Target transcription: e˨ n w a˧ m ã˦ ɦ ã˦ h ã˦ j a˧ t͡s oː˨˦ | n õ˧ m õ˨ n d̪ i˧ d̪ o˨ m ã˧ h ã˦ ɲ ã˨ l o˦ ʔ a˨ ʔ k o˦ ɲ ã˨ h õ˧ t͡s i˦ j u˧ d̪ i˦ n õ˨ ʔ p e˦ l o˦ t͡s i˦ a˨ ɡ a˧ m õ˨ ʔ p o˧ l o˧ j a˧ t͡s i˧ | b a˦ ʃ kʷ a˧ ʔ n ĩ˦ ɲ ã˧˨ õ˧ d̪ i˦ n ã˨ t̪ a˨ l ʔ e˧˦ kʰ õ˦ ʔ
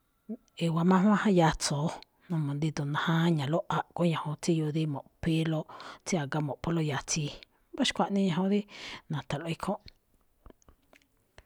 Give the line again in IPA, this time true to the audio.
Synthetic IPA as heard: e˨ w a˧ m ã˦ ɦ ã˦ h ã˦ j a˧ t͡s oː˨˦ | n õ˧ m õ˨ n d̪ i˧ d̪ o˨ n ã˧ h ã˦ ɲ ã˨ l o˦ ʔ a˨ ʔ k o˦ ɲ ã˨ h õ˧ t͡s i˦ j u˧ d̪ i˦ m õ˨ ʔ p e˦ l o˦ t͡s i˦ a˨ ɡ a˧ m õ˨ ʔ p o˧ l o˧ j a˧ t͡s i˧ | b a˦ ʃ kʷ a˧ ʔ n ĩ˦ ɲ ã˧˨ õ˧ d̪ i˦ n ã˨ t̪ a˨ l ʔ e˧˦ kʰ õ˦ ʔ